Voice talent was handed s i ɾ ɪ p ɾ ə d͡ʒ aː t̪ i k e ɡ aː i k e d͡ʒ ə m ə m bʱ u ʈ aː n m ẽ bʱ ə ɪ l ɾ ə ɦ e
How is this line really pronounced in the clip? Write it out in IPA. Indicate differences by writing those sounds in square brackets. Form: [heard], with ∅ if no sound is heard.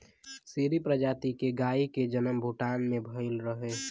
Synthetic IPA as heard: s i ɾ [i] p ɾ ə d͡ʒ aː t̪ i k e ɡ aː i k e d͡ʒ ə [n] ə m bʱ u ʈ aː n m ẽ bʱ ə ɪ l ɾ ə ɦ e